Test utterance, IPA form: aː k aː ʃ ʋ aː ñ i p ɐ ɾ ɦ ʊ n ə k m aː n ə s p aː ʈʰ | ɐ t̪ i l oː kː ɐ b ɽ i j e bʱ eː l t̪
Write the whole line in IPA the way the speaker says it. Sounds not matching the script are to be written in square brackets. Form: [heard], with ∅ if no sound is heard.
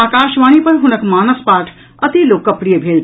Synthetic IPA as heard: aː k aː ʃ ʋ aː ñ i p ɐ ɾ ɦ ʊ n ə k m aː n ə s p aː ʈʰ | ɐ t̪ i l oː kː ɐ [p] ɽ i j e bʱ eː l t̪

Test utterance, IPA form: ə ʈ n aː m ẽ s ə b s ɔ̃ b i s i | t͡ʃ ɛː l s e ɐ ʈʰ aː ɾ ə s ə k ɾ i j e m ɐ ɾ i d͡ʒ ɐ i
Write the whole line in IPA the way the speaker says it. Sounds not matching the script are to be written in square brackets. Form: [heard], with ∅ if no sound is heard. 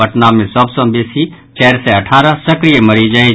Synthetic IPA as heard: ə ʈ n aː m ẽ s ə b s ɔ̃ b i s i | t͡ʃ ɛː [ɾ] s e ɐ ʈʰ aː ɾ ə s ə k ɾ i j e m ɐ ɾ i d͡ʒ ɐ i

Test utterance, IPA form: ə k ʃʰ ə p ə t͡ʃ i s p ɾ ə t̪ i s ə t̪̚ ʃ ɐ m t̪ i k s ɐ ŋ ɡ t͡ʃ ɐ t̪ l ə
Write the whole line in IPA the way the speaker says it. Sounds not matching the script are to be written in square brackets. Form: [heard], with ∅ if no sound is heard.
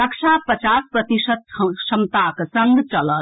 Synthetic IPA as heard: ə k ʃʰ [a] p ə t͡ʃ [a] s p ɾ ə t̪ i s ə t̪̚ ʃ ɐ m t̪ [a] k s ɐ ŋ ɡ t͡ʃ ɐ [∅] l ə

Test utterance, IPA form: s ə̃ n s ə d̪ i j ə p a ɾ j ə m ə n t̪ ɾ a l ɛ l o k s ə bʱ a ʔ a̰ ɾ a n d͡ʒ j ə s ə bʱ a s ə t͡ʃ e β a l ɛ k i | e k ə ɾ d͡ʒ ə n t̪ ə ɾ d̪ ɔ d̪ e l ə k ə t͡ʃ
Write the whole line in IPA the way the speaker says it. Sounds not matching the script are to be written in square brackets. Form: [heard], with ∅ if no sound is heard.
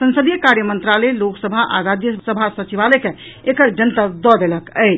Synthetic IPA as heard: s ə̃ n s ə d̪ i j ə [k] a ɾ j ə m ə n t̪ ɾ a l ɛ l o k s ə bʱ a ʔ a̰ ɾ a [∅] d͡ʒ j ə s ə bʱ a s ə t͡ʃ [i] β a l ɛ k [e] | e k ə ɾ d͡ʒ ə n t̪ ə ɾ d̪ ɔ d̪ e l ə k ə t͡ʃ

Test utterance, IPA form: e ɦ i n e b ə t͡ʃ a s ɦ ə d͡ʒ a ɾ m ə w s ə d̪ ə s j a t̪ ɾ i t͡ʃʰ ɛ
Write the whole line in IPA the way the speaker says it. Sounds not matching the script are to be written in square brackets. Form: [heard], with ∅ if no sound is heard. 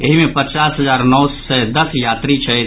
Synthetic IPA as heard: e ɦ i [m] e [p] ə t͡ʃ a s ɦ ə d͡ʒ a ɾ [n] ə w s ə d̪ ə s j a t̪ ɾ i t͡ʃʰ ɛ

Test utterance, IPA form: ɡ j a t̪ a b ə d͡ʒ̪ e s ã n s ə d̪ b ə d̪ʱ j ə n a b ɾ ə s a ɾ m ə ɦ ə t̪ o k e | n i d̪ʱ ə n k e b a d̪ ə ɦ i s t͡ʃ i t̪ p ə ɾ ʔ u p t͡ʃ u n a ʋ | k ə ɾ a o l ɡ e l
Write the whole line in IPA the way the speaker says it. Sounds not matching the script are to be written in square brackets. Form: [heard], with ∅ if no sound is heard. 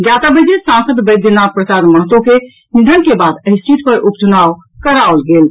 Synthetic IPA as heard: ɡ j a t̪ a b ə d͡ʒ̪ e s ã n s ə d̪ b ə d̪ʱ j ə n a [p] ɾ ə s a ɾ m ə ɦ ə t̪ o k e | n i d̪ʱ ə n k e b a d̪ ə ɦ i s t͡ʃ i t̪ p ə ɾ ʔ u p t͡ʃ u n a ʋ | k ə ɾ a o l ɡ e l

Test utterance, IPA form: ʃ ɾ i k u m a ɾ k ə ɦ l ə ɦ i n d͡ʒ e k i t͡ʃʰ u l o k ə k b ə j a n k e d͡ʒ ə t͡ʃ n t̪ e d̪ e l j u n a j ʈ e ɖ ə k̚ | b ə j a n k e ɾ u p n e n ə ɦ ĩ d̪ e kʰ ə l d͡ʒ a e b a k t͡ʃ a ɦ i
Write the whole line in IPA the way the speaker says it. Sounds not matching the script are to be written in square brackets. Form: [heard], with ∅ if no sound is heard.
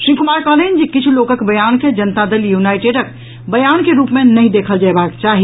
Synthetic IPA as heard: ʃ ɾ i k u m a ɾ k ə ɦ l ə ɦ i n d͡ʒ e k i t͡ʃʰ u l o k ə k b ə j a n k e d͡ʒ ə [∅] n t̪ [a] d̪ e l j u n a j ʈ e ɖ ə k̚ | b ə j a n k e ɾ u p [m] e n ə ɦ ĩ d̪ e kʰ ə l d͡ʒ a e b a k t͡ʃ a ɦ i

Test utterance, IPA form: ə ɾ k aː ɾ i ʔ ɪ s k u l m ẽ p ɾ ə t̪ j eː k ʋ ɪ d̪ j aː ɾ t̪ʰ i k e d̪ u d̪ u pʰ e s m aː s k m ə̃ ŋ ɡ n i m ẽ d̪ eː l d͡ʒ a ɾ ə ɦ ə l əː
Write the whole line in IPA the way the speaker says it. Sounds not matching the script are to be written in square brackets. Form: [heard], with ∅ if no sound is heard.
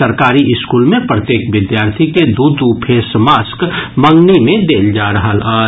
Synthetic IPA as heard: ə ɾ k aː ɾ i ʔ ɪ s k u l m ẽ p ɾ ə t̪ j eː k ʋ ɪ d̪ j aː ɾ t̪ʰ i k e d̪ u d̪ u pʰ e s m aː s k m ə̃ ŋ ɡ n i m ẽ d̪ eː l d͡ʒ a ɾ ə ɦ ə l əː

